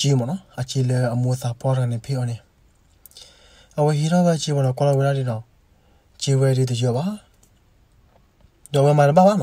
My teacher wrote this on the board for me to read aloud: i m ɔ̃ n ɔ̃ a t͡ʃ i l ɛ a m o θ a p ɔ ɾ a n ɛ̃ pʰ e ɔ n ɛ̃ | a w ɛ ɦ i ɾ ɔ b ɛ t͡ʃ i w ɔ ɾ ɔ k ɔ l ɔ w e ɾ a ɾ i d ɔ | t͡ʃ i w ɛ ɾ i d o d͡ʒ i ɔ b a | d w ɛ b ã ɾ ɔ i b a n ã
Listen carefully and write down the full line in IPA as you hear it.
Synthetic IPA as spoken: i m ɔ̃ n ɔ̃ a t͡ʃ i l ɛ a m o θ a p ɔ ɾ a n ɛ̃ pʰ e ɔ n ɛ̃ | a w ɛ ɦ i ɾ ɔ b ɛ t͡ʃ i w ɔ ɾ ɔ k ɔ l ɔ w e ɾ a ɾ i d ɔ | t͡ʃ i w ɛ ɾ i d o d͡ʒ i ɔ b a | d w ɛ m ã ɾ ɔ a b a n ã